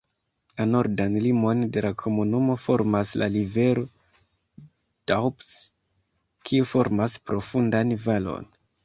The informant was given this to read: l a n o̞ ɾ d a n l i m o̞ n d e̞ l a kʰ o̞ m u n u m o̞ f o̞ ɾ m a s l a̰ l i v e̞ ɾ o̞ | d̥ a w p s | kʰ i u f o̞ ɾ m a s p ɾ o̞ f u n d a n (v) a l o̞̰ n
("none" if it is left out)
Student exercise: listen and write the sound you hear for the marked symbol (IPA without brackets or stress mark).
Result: v